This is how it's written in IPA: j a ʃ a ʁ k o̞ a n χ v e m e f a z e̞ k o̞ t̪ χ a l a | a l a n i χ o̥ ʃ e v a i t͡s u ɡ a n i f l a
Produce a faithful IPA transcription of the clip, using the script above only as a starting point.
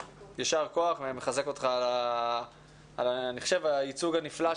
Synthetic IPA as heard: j a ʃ a ʁ k o̞ a χ v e m e χ a z e̞ k o̞ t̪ χ a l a | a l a n i χ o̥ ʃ e v a i t͡s u ɡ a n i f l a